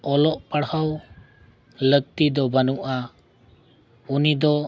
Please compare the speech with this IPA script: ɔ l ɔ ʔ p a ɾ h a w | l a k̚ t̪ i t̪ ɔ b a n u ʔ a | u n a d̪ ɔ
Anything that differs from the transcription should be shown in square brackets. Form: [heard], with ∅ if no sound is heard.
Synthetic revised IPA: ɔ l ɔ ʔ p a [ɽ] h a w | l [ə] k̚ t̪ i [d̪] ɔ b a n u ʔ a | u n [i] d̪ ɔ